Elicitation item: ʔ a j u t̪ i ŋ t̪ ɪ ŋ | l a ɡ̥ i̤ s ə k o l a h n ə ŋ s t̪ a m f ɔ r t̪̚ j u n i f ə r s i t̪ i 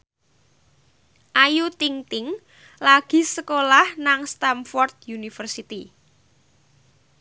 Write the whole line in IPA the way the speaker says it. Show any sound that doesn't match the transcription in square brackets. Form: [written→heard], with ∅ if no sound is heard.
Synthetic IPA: ʔ a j u t̪ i ŋ t̪ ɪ ŋ | l a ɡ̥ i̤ s ə k o l a h n [ə→a] ŋ s t̪ a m f ɔ r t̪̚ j u n i f ə r s i t̪ i